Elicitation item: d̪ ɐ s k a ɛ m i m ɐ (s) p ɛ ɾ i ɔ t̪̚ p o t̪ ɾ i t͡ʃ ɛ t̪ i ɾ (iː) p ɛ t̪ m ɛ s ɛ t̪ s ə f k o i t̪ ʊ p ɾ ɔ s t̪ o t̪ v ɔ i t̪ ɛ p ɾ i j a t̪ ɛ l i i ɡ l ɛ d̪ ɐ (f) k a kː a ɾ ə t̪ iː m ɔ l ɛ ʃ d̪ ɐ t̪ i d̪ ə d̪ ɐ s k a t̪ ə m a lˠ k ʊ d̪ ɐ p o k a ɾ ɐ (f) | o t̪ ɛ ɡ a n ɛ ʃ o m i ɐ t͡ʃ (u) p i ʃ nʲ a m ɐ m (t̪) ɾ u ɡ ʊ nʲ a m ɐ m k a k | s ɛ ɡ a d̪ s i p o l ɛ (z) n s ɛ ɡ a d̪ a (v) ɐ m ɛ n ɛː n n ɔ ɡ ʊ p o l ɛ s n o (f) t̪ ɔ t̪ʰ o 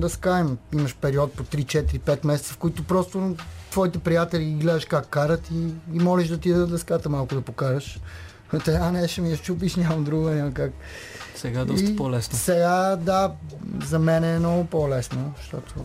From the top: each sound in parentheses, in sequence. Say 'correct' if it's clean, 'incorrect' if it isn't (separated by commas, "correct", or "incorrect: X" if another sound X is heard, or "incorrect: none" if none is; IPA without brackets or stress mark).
incorrect: ʃ, incorrect: i, incorrect: ʃ, incorrect: ʃ, correct, incorrect: d̪, incorrect: s, incorrect: z, incorrect: ʃ